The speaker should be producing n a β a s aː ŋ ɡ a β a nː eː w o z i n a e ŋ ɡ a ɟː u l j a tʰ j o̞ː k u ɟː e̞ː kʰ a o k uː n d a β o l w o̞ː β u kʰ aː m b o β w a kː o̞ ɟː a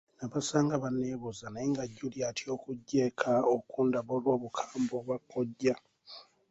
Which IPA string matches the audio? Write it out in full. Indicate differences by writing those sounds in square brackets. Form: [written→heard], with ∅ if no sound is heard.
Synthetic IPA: n a β a s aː ŋ ɡ a β a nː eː [w→β] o z [i→a] n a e ŋ ɡ a ɟː u l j a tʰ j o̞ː k u ɟː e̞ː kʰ a o k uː n d a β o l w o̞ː β u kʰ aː m b o β w a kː o̞ ɟː a